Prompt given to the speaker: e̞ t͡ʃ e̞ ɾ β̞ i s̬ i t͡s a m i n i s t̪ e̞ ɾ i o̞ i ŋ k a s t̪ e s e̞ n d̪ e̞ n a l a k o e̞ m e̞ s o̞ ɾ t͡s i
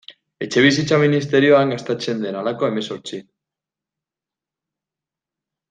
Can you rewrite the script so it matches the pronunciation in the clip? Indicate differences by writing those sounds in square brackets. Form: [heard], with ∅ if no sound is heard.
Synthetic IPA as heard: e̞ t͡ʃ e̞ [∅] β̞ i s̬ i t͡s a m i n i s t̪ e̞ ɾ i o̞ [a] ŋ [ɡ] a s t̪ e [t͡s] e̞ n d̪ e̞ n a l a k o e̞ m e̞ s o̞ ɾ t͡s i